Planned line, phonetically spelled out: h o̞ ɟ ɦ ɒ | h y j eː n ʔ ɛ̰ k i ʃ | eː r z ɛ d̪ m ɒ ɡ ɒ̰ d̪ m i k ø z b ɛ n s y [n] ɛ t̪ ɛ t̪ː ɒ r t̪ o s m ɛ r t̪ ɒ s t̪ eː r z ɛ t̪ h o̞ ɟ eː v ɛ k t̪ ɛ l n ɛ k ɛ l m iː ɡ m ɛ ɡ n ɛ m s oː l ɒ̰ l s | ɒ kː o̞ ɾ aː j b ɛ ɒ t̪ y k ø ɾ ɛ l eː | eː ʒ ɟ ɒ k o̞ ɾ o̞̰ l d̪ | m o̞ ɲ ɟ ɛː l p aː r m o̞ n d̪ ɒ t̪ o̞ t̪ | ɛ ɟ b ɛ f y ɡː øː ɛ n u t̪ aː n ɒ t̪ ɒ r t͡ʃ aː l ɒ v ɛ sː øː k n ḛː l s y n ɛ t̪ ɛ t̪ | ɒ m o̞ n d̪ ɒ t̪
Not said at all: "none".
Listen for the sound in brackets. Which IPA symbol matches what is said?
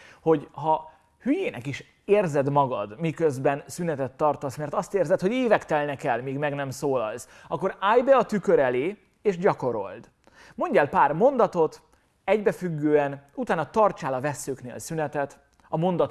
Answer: n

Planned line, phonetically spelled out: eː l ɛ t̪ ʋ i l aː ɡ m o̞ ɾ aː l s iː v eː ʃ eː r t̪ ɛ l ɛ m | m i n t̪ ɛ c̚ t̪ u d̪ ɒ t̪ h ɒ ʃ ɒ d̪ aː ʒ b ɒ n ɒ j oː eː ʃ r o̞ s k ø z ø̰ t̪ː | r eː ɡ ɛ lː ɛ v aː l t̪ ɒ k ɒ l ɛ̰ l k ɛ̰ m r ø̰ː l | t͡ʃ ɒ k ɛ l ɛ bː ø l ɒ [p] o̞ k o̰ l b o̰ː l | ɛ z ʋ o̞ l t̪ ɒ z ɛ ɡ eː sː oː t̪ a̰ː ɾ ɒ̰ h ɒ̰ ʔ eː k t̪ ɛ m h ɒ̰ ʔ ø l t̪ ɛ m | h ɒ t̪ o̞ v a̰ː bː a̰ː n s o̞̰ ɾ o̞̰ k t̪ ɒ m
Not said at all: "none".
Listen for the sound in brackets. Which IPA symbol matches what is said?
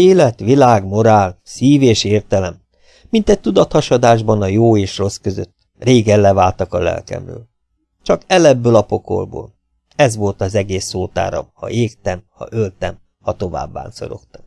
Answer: p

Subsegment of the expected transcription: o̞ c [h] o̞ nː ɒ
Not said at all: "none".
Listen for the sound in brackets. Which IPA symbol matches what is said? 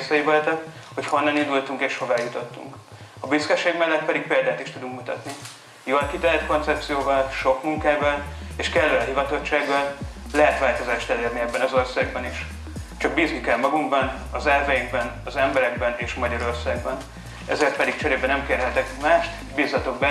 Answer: h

